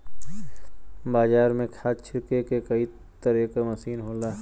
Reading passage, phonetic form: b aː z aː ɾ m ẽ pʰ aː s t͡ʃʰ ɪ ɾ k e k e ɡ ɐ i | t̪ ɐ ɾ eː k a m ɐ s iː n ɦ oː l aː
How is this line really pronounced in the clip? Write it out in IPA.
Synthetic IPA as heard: b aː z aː ɾ m ẽ kʰ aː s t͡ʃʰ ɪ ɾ k e k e k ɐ i | t̪ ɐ ɾ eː k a m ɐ s iː n ɦ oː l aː